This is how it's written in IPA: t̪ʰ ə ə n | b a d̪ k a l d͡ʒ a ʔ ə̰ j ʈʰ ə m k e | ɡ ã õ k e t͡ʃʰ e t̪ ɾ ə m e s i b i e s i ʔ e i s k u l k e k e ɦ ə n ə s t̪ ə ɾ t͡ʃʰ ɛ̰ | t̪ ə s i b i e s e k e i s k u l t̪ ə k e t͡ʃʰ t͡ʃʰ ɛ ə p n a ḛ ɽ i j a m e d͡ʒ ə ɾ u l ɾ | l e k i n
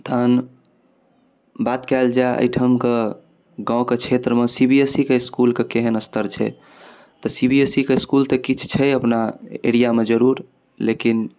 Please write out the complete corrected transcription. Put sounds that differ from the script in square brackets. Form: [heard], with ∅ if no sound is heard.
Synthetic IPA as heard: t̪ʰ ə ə n | b a [t̪] k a l d͡ʒ a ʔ ə̰ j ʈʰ ə m k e | ɡ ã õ k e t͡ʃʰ e t̪ ɾ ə m e s i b i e s i [k] e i s k u l k e k e ɦ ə n ə s t̪ ə ɾ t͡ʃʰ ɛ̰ | t̪ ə s i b i e s [i] k e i s k u l t̪ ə k [i] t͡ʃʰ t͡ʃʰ ɛ ə p n a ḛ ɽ i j a m e d͡ʒ ə ɾ u [∅] ɾ | l e k i n